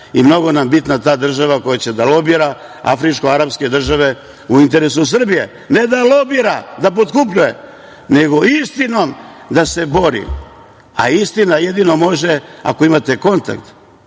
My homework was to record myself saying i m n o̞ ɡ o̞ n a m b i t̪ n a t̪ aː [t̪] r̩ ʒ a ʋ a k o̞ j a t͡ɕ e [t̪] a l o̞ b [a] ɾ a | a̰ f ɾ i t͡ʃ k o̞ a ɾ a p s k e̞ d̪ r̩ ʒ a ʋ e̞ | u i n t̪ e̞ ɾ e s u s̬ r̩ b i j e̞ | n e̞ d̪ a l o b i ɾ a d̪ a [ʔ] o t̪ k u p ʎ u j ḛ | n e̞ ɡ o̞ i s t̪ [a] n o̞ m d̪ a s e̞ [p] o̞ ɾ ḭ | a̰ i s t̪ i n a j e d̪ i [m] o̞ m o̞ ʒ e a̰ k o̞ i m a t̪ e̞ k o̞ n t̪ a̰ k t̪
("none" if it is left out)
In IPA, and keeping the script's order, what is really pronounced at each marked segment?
d̪, d̪, i, p, i, b, n

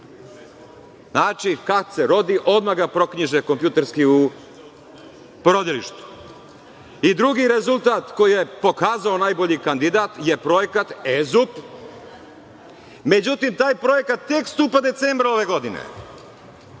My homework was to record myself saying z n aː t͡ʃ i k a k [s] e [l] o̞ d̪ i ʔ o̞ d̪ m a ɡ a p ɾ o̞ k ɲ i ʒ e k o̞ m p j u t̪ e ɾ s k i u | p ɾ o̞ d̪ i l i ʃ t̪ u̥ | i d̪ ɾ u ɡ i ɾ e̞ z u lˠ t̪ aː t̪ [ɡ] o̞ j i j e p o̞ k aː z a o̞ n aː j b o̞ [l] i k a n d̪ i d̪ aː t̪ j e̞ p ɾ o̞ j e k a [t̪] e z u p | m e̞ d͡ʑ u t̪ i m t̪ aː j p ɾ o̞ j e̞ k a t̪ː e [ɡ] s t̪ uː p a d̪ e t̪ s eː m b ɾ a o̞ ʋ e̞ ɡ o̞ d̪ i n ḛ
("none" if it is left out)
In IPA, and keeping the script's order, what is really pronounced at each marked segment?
s, ɾ, k, ʎ, t̪, k

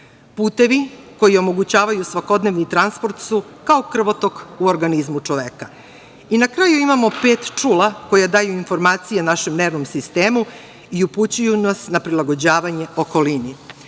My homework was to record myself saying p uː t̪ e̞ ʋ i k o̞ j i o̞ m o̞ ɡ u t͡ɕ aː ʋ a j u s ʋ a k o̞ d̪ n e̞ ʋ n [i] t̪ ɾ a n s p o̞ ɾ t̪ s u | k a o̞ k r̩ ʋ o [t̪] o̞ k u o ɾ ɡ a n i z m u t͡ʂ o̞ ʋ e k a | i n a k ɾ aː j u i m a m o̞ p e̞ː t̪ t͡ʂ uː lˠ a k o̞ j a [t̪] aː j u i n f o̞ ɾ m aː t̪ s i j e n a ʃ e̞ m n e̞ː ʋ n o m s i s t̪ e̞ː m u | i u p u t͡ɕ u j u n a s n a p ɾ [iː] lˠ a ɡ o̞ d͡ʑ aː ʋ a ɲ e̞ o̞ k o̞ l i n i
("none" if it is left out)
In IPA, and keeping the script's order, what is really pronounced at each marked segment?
i, t̪, d̪, i

